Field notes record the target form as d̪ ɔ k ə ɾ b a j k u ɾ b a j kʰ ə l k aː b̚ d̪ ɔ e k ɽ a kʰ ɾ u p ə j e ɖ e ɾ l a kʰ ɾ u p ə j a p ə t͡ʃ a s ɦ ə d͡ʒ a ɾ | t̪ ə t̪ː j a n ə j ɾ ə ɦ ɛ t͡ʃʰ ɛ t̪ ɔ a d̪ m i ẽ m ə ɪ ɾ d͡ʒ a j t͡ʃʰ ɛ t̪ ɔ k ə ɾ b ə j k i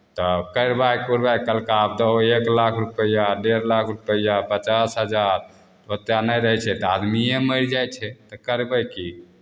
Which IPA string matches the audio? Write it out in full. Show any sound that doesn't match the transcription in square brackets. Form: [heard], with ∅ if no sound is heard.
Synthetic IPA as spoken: [t̪] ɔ k ə ɾ b a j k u ɾ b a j [k] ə l k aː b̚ d̪ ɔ e k [l] a kʰ ɾ u p ə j [a] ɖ e ɾ l a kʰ ɾ u p ə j a p ə t͡ʃ a s ɦ ə d͡ʒ a ɾ | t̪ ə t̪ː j a n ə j ɾ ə ɦ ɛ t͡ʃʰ ɛ t̪ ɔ a d̪ m i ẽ m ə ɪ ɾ d͡ʒ a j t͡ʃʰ ɛ t̪ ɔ k ə ɾ b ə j k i